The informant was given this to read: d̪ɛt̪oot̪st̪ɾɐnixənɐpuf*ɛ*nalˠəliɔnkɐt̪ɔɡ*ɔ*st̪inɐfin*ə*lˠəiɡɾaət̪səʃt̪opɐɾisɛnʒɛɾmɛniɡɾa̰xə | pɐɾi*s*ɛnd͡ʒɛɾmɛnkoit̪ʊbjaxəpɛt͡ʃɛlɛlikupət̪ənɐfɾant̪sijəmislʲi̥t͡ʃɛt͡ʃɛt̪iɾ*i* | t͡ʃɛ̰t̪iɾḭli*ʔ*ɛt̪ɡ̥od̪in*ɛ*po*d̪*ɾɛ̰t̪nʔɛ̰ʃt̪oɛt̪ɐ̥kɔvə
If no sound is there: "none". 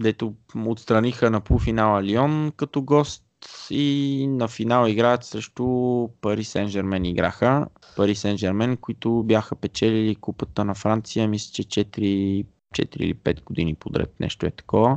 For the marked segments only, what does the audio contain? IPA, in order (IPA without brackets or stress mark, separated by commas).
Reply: i, ɔ, a, s, i, p, i, d̪